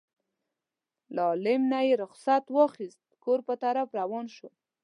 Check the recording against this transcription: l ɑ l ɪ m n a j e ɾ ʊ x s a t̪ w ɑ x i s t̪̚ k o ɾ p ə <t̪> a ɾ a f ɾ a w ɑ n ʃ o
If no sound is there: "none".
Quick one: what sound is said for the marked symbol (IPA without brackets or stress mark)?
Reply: t̪